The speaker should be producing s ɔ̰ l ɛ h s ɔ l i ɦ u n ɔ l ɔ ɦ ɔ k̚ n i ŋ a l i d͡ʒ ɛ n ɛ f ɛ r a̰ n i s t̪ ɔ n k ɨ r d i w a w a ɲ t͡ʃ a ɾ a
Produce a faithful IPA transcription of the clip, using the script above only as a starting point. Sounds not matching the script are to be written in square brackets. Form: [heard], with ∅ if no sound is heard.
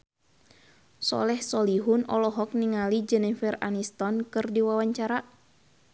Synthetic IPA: s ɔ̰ l ɛ h s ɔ l i ɦ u n ɔ l ɔ ɦ ɔ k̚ n i ŋ a l i d͡ʒ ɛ n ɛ f ɛ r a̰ n i s t̪ ɔ n k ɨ r d i w a w a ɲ t͡ʃ a ɾ a